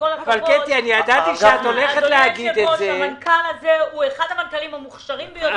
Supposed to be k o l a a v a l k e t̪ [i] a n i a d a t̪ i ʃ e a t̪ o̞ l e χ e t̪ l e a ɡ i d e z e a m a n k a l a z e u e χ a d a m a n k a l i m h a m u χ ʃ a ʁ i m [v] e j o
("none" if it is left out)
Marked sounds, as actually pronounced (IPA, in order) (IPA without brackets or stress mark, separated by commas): i, b